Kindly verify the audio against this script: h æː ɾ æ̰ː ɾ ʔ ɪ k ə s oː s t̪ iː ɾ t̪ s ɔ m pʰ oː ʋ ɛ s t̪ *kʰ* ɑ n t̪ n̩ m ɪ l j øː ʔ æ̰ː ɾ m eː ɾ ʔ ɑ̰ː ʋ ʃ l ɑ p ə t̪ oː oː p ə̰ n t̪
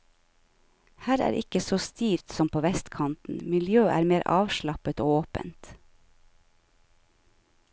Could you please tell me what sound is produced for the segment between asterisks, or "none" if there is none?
kʰ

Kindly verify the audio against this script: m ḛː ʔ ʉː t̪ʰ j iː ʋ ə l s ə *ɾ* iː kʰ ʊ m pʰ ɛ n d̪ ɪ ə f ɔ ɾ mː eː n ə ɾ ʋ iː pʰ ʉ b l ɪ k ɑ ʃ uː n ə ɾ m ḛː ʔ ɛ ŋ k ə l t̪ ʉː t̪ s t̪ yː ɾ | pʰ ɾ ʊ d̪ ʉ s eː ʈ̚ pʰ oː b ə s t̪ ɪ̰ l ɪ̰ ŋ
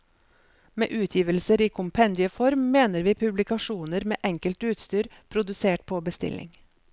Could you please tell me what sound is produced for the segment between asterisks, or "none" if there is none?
ɾ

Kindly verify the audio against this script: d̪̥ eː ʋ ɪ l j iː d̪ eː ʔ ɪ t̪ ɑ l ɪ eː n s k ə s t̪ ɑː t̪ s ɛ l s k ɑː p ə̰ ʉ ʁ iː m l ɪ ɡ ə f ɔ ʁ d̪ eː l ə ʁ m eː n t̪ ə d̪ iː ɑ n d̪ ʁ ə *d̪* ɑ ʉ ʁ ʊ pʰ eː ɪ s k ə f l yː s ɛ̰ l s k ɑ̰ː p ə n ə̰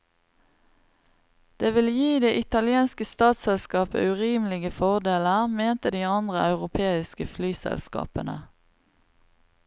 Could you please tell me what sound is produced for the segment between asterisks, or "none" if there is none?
none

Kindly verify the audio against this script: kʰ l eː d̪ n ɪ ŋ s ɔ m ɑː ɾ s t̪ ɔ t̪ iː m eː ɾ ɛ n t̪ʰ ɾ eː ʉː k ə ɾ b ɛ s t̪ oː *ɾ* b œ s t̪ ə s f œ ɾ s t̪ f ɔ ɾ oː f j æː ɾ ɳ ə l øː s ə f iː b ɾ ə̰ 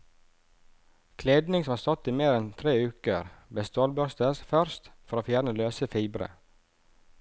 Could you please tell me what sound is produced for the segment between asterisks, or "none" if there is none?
l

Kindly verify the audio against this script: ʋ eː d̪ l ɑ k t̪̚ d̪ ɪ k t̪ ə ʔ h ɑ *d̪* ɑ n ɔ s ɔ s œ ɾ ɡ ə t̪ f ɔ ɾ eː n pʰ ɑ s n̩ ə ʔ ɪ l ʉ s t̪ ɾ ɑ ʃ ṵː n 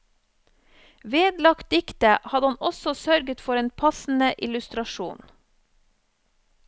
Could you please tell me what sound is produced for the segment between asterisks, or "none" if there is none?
d̪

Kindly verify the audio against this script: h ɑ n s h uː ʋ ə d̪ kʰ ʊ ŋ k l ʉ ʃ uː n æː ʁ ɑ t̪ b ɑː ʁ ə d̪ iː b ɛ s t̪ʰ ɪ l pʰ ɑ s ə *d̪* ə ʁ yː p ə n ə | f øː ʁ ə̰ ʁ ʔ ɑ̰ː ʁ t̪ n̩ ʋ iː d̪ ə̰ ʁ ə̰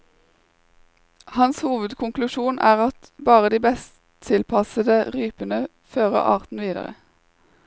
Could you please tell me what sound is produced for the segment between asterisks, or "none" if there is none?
d̪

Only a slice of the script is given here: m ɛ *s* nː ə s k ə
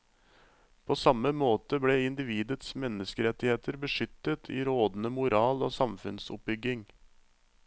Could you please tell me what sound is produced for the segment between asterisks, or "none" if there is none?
none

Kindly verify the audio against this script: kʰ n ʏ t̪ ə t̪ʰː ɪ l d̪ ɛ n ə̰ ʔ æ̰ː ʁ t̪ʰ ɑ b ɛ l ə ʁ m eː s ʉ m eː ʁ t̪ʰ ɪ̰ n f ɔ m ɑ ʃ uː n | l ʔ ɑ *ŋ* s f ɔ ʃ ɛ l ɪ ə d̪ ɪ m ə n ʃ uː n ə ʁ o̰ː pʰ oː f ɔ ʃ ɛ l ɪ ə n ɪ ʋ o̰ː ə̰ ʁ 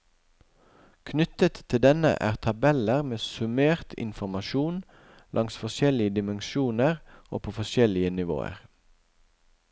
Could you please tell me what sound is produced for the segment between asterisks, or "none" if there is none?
ŋ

